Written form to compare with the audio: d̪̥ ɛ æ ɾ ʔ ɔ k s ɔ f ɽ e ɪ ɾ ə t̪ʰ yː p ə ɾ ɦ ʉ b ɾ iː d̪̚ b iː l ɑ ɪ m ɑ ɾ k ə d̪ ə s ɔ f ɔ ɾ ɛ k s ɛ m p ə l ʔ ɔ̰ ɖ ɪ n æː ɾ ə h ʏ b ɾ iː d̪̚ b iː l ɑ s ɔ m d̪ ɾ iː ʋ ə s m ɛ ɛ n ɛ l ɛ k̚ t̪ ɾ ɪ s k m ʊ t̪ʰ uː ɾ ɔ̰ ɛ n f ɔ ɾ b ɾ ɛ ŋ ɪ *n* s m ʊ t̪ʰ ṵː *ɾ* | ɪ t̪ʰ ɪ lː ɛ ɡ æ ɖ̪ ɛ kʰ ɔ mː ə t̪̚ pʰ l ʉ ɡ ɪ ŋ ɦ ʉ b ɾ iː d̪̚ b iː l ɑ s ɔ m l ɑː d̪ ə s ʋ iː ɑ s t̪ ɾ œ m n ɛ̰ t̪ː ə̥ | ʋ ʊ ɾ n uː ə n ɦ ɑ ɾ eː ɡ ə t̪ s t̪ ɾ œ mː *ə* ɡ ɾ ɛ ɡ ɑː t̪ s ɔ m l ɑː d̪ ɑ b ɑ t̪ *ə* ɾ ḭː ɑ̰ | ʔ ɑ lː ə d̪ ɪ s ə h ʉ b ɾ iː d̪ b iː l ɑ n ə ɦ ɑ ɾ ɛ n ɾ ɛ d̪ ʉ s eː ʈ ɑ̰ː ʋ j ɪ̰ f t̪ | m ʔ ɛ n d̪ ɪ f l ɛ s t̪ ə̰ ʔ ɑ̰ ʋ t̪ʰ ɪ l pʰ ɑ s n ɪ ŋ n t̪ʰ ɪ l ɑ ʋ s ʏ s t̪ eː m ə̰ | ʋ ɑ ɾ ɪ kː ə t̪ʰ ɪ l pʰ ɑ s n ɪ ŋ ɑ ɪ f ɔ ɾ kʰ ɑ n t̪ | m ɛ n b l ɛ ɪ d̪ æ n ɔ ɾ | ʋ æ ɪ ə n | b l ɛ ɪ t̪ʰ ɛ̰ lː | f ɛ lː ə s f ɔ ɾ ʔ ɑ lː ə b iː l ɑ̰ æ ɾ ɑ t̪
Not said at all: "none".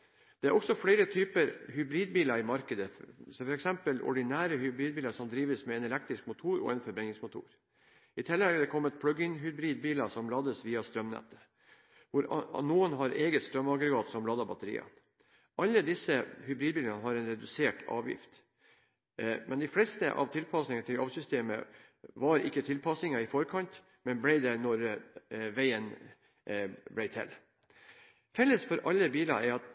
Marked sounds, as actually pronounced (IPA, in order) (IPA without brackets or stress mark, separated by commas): ŋ, ɾ, ɑ, ə